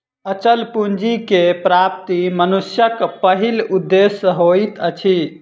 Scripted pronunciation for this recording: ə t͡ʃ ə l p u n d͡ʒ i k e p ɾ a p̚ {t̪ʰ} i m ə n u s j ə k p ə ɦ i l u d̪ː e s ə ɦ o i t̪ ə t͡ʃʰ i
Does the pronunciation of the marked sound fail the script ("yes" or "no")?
yes